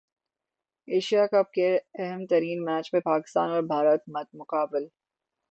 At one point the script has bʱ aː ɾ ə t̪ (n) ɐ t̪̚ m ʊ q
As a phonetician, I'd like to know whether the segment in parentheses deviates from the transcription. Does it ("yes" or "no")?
yes